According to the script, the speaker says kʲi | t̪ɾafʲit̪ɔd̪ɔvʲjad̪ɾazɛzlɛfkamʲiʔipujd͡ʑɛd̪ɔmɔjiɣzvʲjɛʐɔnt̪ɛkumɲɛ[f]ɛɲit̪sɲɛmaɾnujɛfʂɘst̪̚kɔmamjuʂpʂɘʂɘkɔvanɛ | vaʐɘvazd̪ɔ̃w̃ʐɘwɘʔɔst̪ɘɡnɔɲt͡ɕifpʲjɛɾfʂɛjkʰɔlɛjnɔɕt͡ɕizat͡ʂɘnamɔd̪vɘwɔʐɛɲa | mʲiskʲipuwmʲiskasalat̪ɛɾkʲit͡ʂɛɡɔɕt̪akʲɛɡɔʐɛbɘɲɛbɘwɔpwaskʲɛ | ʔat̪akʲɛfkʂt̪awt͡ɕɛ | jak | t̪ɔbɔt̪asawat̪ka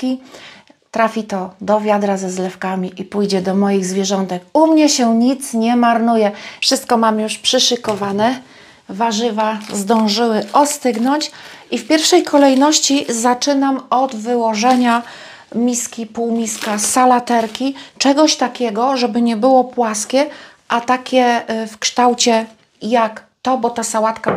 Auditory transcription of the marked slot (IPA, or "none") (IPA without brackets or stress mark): ɕ